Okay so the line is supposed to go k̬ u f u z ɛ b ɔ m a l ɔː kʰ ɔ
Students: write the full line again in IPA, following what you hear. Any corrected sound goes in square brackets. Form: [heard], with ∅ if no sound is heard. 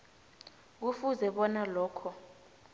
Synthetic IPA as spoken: k̬ u f u z ɛ [ɓ] ɔ [n] a l ɔː kʰ ɔ

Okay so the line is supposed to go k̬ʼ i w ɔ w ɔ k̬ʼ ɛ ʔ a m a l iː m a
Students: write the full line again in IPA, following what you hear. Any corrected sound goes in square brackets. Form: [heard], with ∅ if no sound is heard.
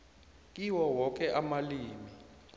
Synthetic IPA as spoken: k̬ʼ i w ɔ w ɔ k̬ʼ ɛ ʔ a m a l iː m [i]

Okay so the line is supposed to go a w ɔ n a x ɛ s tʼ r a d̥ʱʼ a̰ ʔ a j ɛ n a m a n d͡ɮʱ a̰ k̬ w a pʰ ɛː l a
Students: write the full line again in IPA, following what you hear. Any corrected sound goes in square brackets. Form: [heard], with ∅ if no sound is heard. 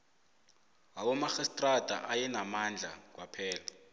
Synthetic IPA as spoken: a w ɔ [m] a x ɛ s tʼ r a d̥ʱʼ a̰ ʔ a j ɛ n a m a n d͡ɮʱ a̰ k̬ w a pʰ ɛː l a

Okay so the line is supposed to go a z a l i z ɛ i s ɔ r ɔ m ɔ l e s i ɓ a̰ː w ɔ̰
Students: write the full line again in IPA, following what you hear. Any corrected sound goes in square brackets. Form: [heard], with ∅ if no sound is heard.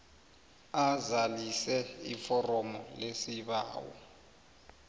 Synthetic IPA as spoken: a z a l i [s] ɛ i [f] ɔ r ɔ m ɔ l e s i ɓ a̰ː w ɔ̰

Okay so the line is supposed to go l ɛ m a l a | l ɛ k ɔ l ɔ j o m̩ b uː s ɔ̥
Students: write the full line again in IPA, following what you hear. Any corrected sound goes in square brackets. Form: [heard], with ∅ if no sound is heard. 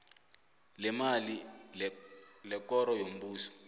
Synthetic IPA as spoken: l ɛ m a l [i] | l ɛ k ɔ [ɾ] ɔ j o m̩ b uː s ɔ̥

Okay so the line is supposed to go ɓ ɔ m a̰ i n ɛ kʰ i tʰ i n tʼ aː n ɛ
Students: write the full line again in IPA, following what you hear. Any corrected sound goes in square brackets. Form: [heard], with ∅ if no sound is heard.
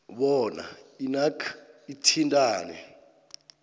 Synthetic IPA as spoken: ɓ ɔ [n] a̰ i n [a] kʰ i tʰ i n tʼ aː n ɛ

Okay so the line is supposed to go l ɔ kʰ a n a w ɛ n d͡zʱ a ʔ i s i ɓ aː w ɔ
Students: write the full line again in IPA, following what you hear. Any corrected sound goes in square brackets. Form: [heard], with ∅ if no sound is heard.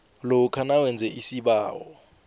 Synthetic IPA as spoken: l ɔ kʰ a n a w ɛ n d͡zʱ [ɛ] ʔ i s i ɓ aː w ɔ

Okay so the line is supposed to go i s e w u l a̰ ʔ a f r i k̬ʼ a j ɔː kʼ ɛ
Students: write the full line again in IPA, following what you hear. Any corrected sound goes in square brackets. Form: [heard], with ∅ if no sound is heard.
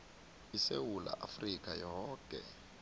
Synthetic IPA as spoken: i s e w u l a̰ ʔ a f r i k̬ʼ a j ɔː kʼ ɛ

